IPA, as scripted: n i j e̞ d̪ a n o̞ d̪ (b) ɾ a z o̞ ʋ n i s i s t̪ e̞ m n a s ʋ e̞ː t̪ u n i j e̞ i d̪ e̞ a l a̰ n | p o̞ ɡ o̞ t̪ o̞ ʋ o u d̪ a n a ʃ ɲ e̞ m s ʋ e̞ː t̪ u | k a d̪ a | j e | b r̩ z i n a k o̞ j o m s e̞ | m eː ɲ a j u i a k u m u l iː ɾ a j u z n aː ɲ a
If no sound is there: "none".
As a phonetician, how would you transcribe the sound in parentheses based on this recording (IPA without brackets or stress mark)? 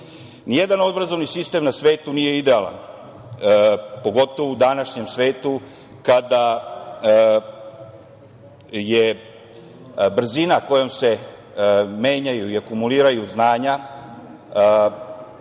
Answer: b